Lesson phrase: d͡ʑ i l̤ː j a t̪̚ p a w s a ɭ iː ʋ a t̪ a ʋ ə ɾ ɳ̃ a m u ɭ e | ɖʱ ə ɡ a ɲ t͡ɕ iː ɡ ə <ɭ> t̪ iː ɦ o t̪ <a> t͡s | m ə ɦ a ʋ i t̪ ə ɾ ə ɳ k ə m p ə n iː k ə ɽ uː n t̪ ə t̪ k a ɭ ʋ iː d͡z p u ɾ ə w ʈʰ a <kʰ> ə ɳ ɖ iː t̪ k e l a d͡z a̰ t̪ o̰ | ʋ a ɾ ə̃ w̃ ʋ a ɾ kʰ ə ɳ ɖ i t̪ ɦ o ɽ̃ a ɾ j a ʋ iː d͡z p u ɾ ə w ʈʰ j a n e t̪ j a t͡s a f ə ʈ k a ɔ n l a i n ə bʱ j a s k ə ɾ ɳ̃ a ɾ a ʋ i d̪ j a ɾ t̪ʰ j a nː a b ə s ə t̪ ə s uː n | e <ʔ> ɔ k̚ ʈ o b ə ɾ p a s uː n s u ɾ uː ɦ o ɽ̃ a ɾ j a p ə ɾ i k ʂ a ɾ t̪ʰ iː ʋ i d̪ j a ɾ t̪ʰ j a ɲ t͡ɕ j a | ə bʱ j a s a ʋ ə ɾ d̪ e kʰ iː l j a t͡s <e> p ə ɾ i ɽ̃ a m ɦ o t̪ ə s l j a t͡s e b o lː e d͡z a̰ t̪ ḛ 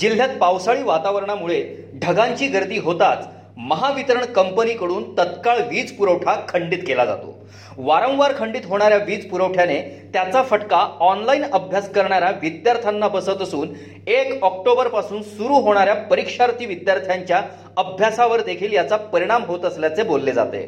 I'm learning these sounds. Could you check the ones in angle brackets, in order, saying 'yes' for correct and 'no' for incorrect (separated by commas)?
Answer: no, yes, yes, no, no